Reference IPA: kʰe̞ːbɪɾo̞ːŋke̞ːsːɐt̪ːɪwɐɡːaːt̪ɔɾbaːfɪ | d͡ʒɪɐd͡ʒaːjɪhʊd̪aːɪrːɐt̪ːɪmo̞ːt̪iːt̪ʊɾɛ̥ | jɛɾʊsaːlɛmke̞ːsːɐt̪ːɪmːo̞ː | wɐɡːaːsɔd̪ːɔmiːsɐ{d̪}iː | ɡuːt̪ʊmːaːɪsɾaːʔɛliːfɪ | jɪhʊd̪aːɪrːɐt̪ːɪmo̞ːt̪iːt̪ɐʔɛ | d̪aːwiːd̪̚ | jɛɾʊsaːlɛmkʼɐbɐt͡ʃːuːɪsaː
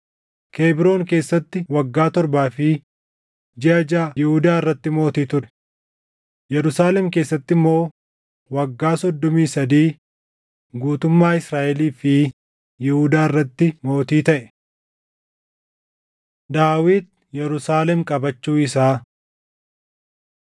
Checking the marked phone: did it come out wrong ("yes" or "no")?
no